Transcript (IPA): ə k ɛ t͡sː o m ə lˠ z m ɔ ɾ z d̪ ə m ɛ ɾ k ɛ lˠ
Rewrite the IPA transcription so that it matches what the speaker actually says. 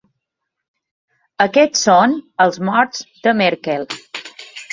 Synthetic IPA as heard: ə k ɛ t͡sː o n ə lˠ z m ɔ ɾ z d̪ ə m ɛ ɾ k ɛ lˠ